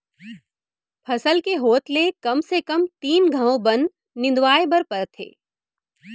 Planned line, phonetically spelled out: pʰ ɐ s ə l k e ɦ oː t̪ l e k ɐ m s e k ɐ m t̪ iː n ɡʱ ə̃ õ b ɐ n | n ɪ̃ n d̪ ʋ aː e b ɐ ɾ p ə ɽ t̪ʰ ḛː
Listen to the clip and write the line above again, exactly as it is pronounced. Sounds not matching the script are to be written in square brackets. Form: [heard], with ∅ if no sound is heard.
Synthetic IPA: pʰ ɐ s ə l k e ɦ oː t̪ l e k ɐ m s e k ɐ m t̪ iː n ɡʱ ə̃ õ b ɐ n | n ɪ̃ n d̪ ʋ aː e b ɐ ɾ p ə [ɾ] t̪ʰ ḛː